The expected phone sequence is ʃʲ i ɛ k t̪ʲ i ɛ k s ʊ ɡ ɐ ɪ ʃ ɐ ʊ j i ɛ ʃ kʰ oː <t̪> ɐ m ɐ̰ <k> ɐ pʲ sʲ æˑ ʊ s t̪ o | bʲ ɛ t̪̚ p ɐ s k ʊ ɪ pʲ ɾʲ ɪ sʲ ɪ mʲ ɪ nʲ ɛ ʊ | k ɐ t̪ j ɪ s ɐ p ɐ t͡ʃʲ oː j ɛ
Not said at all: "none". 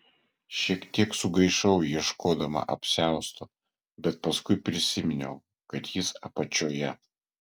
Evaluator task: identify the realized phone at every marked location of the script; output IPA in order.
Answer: d̪, ʔ

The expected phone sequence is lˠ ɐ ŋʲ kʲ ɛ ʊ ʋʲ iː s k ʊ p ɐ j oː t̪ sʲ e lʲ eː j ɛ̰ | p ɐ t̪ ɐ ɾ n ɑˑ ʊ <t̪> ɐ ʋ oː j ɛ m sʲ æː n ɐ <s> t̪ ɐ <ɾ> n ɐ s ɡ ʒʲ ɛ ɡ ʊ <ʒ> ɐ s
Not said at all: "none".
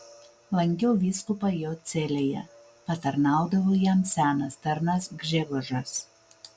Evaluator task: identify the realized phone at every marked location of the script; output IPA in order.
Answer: d̪, s, ɾ, ʒ

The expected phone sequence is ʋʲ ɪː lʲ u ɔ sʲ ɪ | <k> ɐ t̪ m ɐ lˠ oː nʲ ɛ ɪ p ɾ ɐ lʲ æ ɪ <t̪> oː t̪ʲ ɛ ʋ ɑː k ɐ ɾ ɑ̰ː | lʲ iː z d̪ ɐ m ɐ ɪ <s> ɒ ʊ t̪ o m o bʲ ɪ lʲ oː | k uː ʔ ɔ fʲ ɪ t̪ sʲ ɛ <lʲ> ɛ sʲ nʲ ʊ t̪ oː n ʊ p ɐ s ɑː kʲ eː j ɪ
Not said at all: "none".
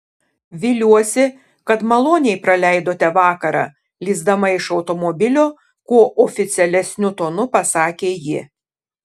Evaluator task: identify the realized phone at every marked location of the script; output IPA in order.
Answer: k, d̪, ʃ, lʲ

